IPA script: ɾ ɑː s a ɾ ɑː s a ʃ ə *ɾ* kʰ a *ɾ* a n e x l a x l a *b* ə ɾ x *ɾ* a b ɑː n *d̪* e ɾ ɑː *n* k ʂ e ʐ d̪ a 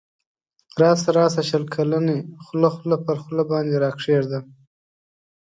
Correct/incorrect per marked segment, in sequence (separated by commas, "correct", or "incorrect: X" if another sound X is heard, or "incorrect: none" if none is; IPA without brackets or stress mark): incorrect: l, incorrect: l, incorrect: p, incorrect: l, correct, incorrect: none